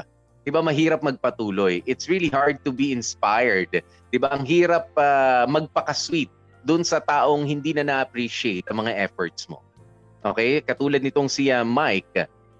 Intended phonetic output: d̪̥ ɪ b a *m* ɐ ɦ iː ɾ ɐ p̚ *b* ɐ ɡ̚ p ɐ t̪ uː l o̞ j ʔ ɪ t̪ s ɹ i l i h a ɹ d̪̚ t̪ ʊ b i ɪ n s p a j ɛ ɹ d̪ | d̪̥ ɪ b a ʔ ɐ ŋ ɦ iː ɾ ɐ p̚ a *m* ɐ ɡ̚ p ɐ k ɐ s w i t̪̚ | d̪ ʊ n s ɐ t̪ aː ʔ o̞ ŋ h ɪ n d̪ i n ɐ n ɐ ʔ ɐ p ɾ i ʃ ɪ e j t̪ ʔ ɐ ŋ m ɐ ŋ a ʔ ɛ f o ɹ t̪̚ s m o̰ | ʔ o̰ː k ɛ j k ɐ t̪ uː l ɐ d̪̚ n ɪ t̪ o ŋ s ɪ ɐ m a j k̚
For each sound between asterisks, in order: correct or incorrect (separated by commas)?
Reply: correct, incorrect, correct